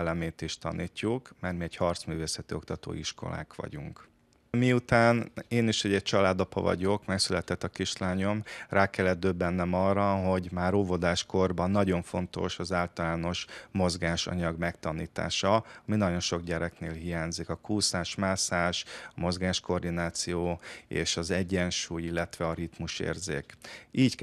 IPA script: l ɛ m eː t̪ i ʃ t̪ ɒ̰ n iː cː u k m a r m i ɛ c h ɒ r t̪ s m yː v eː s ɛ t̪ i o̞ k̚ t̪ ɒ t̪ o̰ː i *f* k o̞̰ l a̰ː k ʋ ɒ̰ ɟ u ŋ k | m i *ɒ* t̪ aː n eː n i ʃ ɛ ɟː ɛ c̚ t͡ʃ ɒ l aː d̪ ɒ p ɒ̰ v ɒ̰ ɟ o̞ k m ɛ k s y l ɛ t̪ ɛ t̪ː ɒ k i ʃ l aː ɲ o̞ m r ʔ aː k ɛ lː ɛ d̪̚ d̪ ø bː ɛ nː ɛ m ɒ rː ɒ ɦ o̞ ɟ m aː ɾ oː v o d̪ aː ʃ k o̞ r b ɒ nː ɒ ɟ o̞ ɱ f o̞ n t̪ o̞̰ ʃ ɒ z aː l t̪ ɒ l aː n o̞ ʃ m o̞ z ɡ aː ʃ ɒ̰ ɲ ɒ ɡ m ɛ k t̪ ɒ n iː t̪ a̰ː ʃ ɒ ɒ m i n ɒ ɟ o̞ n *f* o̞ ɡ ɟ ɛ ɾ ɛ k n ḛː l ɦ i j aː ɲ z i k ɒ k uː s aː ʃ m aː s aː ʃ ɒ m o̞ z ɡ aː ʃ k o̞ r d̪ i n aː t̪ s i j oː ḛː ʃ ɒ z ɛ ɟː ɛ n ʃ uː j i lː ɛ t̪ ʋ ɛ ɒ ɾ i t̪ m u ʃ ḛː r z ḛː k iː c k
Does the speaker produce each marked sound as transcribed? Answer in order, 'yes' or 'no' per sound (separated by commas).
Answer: no, no, no